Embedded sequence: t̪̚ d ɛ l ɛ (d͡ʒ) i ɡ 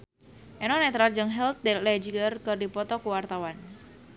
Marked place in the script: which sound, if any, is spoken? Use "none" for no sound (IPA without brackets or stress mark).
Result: d͡ʒ